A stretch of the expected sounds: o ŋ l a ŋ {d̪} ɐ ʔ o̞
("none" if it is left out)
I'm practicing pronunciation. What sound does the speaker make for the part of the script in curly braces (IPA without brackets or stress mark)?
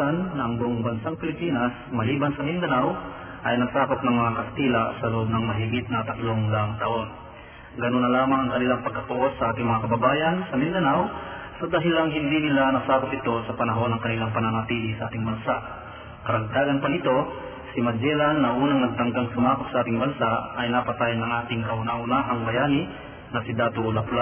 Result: t̪